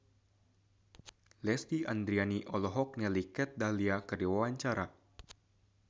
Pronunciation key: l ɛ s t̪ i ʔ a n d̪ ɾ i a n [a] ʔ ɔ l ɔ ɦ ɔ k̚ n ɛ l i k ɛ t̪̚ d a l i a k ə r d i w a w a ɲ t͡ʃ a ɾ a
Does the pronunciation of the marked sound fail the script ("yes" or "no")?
yes